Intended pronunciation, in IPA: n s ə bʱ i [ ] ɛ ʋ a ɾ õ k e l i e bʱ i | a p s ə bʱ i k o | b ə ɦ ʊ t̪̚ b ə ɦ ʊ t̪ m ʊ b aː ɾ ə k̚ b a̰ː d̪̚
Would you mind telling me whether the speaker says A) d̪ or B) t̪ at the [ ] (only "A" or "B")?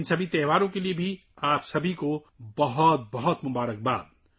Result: B